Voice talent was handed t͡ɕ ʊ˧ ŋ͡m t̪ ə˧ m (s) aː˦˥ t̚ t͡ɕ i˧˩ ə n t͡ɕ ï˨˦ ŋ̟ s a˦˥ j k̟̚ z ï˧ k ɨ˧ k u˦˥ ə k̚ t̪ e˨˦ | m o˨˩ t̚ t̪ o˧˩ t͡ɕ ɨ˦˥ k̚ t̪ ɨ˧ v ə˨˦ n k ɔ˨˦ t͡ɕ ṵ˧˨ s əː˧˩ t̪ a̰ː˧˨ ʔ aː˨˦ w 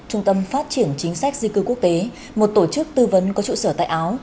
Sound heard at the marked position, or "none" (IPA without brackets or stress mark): f